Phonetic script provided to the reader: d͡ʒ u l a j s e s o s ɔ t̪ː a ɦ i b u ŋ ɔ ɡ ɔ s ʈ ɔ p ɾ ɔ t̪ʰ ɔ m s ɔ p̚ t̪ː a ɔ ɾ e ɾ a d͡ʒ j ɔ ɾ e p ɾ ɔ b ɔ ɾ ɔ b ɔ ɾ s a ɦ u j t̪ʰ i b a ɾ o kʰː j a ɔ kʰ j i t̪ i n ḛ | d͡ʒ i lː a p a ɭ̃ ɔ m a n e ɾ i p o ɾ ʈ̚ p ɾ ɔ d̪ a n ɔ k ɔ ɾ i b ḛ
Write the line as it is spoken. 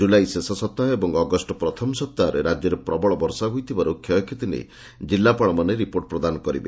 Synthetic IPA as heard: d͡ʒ u l a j s e s ɔ s ɔ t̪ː a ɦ e b ɔ ŋ ɔ ɡ ɔ s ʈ ɔ p ɾ ɔ t̪ʰ ɔ m s ɔ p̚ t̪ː a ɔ ɾ e ɾ a d͡ʒ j ɔ ɾ e p ɾ ɔ b ɔ ɭ ɔ b ɔ ɾ s a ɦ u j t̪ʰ i b a ɾ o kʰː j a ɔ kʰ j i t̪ i n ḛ | d͡ʒ i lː a p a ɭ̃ ɔ m a n e ɾ i p o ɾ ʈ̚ p ɾ ɔ d̪ a n ɔ k ɔ ɾ i b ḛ